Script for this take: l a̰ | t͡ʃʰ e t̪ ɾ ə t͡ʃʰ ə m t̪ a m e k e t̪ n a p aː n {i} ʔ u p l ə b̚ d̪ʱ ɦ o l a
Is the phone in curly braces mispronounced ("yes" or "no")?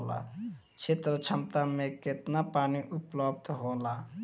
no